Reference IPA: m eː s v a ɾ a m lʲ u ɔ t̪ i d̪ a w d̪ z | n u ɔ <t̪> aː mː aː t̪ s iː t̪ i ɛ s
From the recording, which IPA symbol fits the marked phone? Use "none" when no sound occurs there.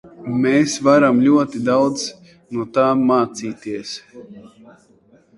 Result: t̪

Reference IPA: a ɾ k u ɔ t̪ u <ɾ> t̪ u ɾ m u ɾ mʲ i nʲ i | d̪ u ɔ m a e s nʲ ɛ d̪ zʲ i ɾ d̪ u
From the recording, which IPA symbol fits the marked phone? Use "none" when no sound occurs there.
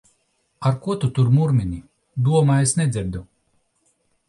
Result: none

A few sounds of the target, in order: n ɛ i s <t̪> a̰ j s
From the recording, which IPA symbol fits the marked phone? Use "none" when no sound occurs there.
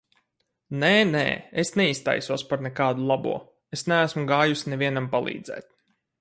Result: t̪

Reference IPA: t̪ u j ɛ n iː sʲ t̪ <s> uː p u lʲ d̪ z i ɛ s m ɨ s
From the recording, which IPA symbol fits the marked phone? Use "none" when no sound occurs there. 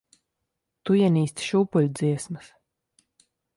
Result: ʃ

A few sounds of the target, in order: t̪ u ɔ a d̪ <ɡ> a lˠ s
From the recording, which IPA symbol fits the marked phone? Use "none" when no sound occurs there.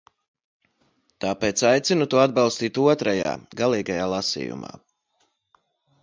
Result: b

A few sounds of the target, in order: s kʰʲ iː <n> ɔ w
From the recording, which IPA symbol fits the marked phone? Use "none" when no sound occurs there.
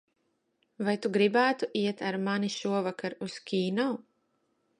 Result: n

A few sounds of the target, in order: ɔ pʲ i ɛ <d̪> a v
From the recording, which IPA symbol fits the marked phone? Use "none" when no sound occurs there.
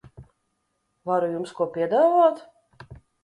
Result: d̪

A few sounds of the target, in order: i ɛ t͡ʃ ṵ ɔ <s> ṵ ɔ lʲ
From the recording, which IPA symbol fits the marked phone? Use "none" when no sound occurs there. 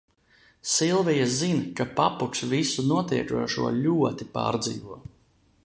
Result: ʃ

